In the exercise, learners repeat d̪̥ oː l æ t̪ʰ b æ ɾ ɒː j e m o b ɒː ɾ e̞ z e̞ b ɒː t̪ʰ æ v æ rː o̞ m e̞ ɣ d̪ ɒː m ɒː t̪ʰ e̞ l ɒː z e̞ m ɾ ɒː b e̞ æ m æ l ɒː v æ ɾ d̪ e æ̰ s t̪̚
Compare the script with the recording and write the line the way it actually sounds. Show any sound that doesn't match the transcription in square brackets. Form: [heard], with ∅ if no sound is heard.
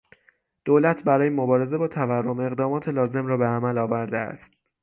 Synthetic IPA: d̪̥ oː l æ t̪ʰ b æ ɾ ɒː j e m o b ɒː ɾ e̞ z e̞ b ɒː t̪ʰ æ v æ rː o̞ m e̞ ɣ d̪ ɒː m ɒː t̪ʰ e̞ l ɒː z e̞ m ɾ ɒː b e̞ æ m æ l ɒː v æ ɾ d̪ e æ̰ s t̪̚